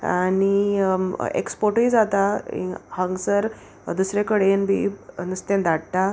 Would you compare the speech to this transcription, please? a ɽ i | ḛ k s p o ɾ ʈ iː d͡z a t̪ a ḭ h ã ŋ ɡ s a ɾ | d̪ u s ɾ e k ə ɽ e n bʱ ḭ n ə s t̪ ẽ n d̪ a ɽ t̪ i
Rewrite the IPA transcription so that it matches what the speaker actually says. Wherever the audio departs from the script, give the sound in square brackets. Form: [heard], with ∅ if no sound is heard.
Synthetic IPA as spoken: a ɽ i | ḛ k s p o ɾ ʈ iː d͡z a t̪ a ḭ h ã ŋ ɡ s [ə] ɾ | d̪ u s ɾ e k ə ɽ e n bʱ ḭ n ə s t̪ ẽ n d̪ a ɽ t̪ [a]